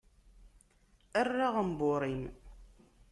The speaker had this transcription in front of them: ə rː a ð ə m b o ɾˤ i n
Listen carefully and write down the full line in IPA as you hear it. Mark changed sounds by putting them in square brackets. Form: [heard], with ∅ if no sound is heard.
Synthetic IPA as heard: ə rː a [ʁ] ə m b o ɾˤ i [m]